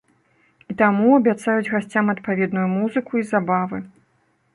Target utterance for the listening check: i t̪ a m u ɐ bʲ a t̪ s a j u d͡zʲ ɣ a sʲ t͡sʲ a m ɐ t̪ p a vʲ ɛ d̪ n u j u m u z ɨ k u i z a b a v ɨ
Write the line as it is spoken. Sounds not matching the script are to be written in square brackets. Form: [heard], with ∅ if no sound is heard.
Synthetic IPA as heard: i t̪ a m u ɐ bʲ a t̪ s a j u d͡zʲ ɣ a sʲ t͡sʲ a m ɐ t̪ p a vʲ ɛ d̪ n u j u m u z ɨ k u i z a b a v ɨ